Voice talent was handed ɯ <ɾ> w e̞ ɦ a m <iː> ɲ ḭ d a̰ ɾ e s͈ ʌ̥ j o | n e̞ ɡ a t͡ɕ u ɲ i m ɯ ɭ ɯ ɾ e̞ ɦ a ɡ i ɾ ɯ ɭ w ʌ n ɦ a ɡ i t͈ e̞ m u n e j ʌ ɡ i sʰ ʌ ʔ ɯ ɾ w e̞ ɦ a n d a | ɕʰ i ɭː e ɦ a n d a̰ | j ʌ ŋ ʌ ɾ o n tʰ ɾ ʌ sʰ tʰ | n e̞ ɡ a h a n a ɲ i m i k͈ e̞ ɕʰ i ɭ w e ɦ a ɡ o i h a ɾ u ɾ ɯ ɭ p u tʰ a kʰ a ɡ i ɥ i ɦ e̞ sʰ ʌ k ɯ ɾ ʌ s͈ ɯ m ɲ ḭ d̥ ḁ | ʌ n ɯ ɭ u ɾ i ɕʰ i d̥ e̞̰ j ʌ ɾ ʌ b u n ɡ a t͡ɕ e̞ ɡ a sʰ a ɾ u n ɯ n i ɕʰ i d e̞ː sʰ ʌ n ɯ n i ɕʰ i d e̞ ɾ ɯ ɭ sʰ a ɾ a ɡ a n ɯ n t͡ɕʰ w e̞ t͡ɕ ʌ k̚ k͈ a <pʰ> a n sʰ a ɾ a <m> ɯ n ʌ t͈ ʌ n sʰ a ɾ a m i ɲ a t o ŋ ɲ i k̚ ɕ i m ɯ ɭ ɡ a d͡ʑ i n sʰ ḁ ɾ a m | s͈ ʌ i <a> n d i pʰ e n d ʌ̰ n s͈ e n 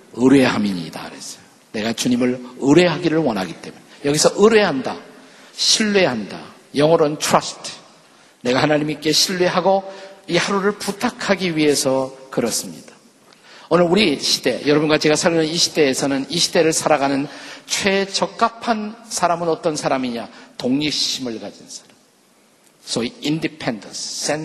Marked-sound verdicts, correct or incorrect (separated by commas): correct, incorrect, correct, correct, incorrect